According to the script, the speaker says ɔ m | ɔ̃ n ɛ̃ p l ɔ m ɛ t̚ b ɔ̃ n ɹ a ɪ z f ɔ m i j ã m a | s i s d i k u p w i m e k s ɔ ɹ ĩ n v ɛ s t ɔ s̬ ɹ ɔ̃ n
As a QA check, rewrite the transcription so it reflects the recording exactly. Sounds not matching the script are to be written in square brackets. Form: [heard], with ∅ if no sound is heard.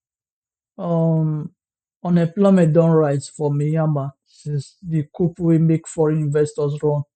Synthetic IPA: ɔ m | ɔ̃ n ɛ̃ p l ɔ m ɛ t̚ [d] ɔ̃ n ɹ a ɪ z f ɔ m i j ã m a | s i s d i k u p w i m e k [f] ɔ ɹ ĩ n v ɛ s t ɔ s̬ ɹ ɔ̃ n